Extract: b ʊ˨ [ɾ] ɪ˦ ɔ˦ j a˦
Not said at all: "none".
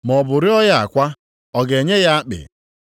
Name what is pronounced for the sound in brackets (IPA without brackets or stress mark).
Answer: ɾ